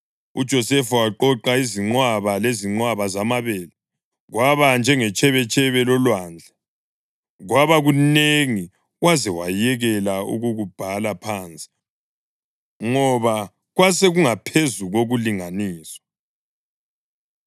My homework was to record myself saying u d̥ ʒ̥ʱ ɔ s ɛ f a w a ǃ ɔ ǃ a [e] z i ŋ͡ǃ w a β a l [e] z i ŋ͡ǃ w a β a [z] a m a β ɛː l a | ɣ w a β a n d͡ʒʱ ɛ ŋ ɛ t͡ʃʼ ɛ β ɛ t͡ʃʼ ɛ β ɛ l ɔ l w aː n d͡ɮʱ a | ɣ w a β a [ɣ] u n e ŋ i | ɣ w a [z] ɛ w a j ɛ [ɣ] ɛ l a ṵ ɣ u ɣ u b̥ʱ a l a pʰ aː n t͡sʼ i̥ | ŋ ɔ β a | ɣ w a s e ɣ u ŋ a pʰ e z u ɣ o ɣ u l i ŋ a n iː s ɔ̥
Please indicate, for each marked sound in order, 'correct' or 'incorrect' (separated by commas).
incorrect, correct, correct, correct, correct, correct